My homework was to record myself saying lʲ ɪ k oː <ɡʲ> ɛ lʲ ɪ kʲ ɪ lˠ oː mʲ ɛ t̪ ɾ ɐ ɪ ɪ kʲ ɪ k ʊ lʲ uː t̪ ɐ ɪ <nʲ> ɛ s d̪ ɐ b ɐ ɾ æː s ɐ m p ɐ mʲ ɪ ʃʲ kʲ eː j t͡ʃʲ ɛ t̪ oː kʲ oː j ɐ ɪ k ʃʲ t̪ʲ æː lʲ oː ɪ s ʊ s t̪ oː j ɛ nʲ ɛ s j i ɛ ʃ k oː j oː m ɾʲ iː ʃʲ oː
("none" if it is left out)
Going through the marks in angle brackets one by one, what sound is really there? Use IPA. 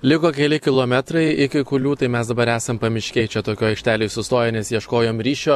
kʲ, mʲ

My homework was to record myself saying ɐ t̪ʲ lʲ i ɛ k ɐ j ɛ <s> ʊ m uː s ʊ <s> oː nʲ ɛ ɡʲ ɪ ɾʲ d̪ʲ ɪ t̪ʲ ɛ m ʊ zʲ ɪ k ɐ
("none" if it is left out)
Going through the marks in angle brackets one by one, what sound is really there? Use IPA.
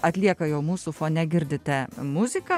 none, f

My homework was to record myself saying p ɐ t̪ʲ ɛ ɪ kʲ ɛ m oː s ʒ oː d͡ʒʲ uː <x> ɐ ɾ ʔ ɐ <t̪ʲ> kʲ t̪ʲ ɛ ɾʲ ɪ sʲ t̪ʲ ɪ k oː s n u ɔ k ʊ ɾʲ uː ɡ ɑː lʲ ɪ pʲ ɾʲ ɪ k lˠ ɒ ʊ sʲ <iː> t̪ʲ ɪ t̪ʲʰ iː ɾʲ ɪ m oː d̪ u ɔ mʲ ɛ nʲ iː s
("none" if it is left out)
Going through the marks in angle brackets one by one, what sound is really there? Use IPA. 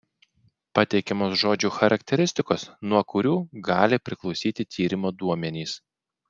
x, none, iː

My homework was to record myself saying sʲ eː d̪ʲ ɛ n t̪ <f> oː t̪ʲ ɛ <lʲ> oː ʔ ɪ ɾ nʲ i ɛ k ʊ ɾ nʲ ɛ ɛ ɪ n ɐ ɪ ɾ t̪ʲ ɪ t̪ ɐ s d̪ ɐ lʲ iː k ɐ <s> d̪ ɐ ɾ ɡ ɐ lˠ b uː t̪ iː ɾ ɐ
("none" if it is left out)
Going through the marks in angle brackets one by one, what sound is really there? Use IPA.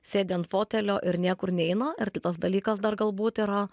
f, lʲ, s

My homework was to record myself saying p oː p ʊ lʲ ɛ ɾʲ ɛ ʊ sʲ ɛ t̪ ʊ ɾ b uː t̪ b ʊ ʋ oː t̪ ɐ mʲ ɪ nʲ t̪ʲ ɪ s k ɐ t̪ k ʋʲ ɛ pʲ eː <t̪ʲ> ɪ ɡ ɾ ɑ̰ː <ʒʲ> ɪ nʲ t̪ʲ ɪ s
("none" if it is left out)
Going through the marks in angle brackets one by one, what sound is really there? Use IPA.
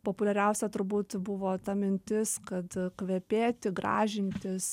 t̪ʲ, ʒʲ

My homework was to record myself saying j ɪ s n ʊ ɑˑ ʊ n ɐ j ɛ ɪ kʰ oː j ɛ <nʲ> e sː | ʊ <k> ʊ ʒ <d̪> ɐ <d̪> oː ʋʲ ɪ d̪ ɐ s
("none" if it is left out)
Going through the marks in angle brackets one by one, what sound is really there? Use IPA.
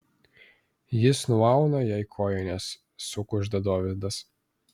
nʲ, k, d̪, d̪

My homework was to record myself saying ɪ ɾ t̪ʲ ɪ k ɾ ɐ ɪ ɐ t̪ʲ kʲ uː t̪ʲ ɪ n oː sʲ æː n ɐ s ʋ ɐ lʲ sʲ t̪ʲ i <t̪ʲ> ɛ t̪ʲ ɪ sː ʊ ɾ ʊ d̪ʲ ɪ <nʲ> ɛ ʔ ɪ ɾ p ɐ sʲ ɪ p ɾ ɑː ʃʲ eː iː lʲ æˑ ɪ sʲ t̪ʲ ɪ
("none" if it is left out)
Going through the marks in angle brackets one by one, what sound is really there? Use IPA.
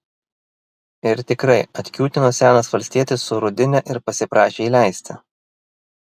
none, nʲ

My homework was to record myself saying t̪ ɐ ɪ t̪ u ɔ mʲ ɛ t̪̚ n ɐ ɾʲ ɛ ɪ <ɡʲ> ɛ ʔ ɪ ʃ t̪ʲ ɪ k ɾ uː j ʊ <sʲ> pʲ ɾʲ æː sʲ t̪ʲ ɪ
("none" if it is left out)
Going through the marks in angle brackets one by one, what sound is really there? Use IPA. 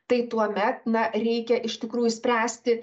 kʲ, sʲ

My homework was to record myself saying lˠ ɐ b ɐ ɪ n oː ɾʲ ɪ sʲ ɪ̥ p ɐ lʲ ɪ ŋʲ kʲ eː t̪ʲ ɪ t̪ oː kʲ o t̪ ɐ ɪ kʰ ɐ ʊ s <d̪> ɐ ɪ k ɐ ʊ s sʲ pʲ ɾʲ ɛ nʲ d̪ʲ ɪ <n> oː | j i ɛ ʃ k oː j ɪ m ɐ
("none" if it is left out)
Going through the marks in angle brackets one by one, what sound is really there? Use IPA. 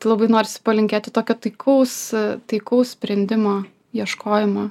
t̪, m

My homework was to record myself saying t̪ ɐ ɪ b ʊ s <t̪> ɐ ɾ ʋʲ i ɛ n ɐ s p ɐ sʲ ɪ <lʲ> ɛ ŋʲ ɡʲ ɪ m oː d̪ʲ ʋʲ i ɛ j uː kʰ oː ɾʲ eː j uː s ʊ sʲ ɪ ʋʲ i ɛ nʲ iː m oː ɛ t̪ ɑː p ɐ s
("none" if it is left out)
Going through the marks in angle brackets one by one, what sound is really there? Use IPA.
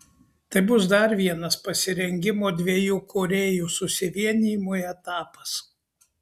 d̪, ɾʲ

